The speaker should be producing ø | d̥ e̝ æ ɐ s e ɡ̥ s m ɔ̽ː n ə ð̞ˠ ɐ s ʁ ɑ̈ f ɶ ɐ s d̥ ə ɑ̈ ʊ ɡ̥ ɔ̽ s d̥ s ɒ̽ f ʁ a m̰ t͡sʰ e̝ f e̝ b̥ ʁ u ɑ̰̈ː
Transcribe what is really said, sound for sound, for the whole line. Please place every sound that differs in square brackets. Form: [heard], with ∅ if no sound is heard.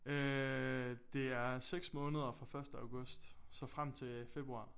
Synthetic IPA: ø | d̥ e̝ æ ɐ s e ɡ̥ s m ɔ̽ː n ə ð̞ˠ ɐ [f] ʁ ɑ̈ f ɶ ɐ s d̥ ə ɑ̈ ʊ ɡ̥ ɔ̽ s d̥ s ɒ̽ f ʁ a m̰ t͡sʰ e̝ f e̝ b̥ ʁ u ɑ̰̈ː